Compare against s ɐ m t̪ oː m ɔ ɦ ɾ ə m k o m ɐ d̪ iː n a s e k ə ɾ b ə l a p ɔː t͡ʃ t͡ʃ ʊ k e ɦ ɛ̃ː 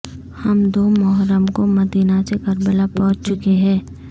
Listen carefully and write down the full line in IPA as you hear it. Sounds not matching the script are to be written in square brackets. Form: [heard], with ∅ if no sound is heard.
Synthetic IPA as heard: [h] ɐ m [d̪] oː m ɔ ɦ ɾ ə m k o m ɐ d̪ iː n a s e k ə ɾ b ə l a p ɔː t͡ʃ t͡ʃ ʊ k e ɦ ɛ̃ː